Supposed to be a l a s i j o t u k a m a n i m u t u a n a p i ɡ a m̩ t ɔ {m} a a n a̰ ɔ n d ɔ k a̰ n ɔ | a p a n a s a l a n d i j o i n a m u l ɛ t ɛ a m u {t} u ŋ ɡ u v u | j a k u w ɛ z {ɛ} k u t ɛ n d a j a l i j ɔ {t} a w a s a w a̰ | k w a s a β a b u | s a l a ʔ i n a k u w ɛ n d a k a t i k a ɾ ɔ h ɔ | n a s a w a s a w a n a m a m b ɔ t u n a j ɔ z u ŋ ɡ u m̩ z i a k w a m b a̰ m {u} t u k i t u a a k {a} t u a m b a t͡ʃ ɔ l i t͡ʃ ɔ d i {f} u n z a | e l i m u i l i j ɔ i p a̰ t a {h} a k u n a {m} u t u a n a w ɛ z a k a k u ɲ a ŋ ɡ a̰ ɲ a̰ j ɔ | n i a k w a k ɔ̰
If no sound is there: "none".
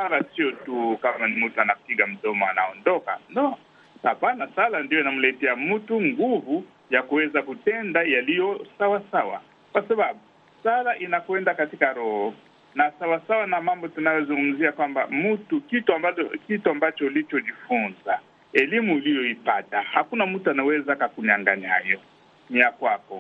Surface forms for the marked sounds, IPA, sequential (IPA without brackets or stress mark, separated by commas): m, t, a, s, u, i, f, h, m